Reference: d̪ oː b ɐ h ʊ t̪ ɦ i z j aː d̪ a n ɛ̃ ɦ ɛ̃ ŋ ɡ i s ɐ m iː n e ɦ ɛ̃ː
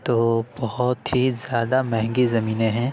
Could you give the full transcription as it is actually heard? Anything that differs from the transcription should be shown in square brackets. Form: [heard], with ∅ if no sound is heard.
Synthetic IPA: [t̪] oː b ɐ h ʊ t̪ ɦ i z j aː d̪ a [m] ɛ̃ ɦ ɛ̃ ŋ ɡ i [z] ɐ m iː n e ɦ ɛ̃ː